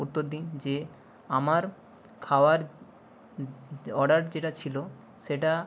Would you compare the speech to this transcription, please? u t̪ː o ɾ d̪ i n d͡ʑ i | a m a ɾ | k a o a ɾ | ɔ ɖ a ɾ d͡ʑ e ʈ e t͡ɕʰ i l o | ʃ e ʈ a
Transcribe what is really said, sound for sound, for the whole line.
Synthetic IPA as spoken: u t̪ː o ɾ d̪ i n d͡ʑ e | a m a ɾ | kʰ a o a ɾ | ɔ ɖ a ɾ d͡ʑ e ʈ a t͡ɕʰ i l o | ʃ e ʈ a